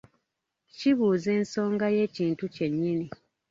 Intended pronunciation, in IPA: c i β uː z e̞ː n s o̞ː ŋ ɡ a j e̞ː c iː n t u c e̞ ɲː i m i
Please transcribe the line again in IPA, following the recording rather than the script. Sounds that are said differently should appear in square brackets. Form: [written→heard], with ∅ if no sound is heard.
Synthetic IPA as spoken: c i β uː z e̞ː n s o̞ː ŋ ɡ a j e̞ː c iː n t u c e̞ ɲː i [m→n] i